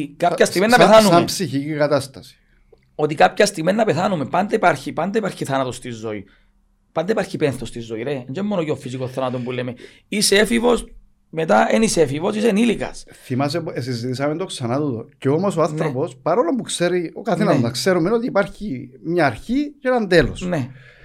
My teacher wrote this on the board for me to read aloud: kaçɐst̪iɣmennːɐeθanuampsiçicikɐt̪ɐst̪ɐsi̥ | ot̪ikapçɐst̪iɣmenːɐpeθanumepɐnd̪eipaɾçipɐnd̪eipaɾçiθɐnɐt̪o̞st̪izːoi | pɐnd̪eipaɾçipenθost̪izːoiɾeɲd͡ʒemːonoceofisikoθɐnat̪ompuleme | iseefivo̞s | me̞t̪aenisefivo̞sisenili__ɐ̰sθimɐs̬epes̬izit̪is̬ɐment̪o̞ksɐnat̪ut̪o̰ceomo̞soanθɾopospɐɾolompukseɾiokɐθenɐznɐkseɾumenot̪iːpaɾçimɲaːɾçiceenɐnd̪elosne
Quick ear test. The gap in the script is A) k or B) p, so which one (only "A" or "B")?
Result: A